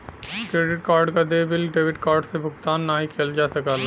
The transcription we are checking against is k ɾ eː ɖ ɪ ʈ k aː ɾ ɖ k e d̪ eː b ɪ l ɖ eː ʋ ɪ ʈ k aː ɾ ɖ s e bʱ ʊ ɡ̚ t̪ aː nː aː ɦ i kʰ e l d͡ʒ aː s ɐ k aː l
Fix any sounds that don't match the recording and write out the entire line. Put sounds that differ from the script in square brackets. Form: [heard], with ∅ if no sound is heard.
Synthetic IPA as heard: k ɾ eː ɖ ɪ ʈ k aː ɾ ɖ k [a] d̪ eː b ɪ l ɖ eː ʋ ɪ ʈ k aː ɾ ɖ s e bʱ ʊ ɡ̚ t̪ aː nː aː ɦ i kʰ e l d͡ʒ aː s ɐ k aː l